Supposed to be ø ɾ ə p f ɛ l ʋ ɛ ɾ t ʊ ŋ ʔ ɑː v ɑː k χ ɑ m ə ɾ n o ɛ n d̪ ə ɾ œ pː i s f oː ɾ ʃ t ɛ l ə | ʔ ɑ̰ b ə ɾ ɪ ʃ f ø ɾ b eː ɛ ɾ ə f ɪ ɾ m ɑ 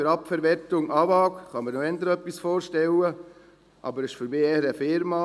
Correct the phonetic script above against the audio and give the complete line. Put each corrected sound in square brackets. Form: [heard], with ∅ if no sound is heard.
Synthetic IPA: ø ɾ [ɑ] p f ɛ [ɾ] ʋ ɛ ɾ t ʊ ŋ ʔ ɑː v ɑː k χ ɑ m ə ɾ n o ɛ n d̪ ə ɾ œ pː i s f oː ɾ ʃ t ɛ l ə | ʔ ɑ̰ b ə ɾ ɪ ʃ f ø ɾ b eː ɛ ɾ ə f ɪ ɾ m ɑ